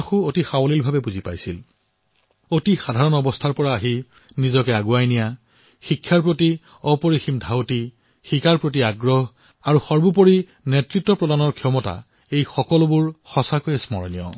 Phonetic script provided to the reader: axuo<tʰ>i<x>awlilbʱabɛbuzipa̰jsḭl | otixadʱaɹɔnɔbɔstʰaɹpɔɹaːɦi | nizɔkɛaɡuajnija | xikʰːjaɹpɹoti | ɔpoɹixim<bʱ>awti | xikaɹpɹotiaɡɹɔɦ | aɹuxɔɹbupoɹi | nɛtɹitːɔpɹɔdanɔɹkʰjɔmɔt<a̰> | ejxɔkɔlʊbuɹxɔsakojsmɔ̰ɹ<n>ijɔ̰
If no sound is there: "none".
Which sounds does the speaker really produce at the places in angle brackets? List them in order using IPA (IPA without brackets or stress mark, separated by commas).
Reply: t, x, dʱ, a̰, n